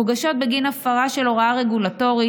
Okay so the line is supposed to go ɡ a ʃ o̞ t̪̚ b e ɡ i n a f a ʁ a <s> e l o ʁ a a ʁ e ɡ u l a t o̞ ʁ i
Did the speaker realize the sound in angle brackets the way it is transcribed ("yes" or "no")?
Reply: no